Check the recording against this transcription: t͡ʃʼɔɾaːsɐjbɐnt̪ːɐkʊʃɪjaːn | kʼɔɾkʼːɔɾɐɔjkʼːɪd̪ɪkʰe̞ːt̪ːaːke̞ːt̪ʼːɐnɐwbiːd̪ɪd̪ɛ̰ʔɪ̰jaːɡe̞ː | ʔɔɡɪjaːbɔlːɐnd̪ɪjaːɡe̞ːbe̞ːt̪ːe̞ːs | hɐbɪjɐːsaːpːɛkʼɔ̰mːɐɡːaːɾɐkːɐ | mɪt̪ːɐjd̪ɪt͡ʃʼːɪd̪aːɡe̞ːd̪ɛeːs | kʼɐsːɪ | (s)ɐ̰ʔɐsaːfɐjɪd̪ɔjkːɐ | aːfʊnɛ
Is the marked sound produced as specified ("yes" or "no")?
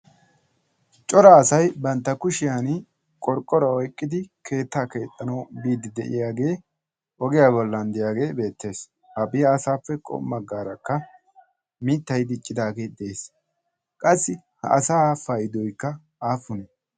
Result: no